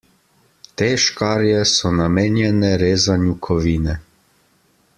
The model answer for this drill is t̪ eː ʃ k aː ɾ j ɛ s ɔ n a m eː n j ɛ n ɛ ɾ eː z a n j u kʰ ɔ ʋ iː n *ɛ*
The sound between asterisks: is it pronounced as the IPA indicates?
yes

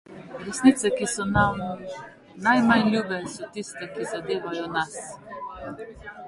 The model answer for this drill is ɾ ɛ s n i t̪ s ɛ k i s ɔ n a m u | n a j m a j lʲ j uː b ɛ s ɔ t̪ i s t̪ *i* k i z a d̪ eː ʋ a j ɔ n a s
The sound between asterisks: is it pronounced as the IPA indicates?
no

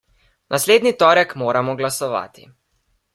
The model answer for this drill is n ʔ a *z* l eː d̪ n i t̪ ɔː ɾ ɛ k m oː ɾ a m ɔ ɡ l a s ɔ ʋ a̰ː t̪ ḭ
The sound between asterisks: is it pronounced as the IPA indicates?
no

